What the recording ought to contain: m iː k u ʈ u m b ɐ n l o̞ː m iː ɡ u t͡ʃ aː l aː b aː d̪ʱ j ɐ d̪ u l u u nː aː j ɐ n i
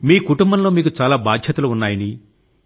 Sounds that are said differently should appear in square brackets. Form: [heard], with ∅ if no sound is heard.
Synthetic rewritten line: m iː k u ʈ u m b ɐ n l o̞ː m iː [k] u t͡ʃ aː l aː b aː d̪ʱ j ɐ [t̪] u l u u nː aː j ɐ n i